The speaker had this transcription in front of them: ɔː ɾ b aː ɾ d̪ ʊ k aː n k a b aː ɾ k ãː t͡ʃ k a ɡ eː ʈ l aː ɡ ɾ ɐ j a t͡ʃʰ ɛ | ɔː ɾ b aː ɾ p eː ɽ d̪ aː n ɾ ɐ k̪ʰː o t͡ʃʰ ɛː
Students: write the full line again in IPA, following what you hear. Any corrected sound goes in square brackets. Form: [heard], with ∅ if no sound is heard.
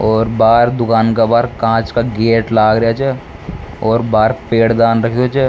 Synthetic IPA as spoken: ɔː ɾ b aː ɾ d̪ ʊ k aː n k a b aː ɾ k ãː t͡ʃ k a ɡ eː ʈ l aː ɡ ɾ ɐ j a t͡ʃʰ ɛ | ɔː ɾ b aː ɾ p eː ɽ d̪ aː n ɾ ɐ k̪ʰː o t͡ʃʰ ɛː